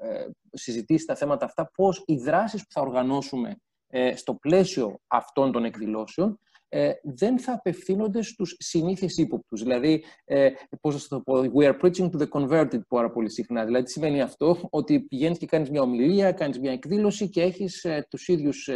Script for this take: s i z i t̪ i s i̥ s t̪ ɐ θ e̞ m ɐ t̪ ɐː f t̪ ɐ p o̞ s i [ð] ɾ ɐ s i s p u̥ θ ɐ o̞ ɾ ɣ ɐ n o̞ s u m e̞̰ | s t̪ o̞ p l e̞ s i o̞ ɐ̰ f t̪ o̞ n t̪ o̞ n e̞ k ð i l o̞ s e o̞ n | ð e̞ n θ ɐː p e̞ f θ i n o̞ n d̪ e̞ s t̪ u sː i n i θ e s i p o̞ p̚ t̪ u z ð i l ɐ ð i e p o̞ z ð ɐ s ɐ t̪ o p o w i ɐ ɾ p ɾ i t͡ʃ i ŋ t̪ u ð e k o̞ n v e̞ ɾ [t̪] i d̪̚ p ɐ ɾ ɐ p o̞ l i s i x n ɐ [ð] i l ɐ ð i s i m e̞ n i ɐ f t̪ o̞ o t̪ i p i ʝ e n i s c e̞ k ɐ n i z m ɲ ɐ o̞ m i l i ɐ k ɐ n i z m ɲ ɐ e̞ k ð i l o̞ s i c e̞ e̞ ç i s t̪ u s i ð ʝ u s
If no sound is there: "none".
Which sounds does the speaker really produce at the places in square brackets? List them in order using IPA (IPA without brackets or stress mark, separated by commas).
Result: ð, t̪, ð